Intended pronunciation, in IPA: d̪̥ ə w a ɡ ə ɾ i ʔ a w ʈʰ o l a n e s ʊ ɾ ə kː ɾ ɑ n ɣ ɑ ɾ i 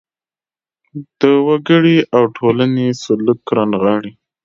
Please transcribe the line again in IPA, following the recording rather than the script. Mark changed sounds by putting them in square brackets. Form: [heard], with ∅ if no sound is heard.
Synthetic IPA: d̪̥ ə w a ɡ ə [ɽ] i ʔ a w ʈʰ o l a n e s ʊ [l] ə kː ɾ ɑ n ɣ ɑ [ɽ] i